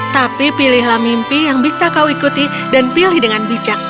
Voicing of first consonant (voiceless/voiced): voiceless